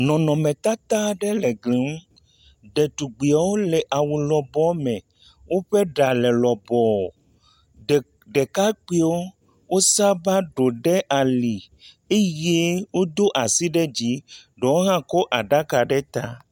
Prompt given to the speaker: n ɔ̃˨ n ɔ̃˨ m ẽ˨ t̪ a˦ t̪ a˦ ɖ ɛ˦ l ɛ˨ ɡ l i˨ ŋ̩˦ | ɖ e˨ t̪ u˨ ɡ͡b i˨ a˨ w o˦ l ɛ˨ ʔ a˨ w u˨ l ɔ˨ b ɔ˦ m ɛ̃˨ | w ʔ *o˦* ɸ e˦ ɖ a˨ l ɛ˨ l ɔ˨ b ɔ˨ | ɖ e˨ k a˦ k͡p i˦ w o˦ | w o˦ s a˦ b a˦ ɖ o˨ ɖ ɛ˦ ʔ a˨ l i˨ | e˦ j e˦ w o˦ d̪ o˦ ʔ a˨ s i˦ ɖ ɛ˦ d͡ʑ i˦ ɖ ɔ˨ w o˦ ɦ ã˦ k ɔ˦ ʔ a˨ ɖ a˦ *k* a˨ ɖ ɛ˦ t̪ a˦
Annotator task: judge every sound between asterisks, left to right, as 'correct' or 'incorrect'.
correct, correct

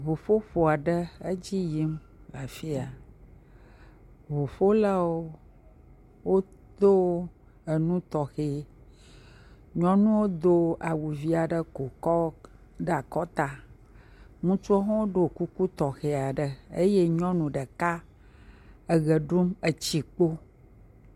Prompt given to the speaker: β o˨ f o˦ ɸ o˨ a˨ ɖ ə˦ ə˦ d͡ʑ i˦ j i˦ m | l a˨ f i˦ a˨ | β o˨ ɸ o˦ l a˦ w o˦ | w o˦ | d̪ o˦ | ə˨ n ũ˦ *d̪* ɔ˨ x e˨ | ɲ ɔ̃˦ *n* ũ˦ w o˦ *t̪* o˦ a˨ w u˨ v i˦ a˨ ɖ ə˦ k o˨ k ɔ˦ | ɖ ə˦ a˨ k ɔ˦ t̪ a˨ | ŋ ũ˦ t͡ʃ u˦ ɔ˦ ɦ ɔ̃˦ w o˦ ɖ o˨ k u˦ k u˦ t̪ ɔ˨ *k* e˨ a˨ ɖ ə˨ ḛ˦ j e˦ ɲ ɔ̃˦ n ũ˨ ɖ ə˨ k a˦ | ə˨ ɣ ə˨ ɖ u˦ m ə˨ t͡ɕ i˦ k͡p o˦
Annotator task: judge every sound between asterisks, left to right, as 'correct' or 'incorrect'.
incorrect: t̪, correct, incorrect: d̪, incorrect: x

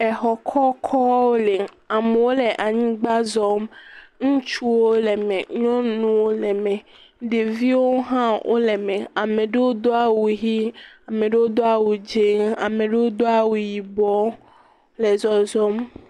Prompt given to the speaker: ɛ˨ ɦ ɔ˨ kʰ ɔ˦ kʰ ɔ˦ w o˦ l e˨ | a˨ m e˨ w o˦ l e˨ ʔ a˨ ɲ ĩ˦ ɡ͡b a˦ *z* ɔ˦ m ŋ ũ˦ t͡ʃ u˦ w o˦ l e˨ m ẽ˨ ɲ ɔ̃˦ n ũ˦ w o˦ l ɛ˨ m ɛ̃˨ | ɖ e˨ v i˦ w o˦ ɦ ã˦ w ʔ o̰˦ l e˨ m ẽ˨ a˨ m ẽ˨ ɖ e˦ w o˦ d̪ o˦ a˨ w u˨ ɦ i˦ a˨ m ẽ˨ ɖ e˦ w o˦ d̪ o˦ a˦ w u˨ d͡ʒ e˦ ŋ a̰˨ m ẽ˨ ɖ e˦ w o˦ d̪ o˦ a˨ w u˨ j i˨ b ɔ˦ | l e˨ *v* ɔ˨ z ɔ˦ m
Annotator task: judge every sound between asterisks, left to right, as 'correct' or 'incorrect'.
correct, incorrect: z

